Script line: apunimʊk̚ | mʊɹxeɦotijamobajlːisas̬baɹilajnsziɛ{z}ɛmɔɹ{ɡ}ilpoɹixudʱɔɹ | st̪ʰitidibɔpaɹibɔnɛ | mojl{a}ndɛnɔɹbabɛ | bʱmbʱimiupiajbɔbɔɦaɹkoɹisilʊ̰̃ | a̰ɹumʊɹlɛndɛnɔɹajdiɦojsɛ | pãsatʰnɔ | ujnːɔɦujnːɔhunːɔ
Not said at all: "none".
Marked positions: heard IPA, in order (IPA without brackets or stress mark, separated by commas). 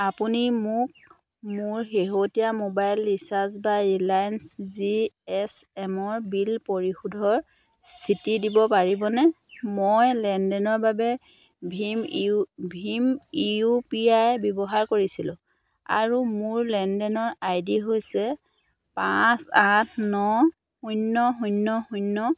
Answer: s, b, ɛ